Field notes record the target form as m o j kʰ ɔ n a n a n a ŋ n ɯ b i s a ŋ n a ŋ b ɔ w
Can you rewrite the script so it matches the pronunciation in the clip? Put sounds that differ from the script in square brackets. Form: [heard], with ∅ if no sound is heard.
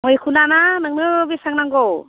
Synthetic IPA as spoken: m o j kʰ [u] n a n a n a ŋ n ɯ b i s a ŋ n a ŋ [ɡ] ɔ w